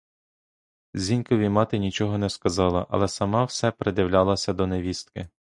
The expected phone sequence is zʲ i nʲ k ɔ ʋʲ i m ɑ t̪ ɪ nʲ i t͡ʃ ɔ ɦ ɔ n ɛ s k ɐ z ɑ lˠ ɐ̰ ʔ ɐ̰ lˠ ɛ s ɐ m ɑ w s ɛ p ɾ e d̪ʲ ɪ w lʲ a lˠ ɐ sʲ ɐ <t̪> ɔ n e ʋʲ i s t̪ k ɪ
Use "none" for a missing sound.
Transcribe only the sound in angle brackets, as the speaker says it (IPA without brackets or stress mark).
d̪